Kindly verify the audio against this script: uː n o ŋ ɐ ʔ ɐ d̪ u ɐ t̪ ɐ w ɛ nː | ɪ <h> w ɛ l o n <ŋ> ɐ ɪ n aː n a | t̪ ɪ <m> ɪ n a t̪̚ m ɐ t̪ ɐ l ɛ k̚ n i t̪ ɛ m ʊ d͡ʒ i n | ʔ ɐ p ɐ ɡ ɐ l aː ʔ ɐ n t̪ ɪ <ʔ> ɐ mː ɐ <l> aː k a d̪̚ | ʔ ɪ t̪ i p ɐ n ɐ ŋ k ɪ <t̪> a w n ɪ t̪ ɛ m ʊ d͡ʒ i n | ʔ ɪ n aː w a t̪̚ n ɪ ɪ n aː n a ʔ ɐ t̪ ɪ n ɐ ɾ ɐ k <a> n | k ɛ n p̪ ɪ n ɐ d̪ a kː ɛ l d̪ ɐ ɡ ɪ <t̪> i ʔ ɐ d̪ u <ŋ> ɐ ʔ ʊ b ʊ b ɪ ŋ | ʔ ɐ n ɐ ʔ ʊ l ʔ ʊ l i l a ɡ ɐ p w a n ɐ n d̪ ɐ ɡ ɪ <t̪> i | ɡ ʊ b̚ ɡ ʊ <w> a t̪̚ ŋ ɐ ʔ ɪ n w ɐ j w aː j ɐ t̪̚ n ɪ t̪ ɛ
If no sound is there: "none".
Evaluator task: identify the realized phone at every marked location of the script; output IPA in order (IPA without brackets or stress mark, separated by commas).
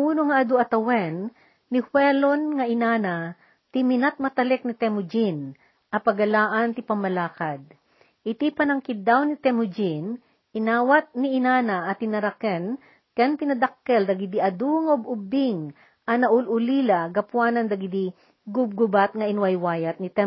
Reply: h, ŋ, m, p, l, d̪, ɛ, d̪, ŋ, d̪, b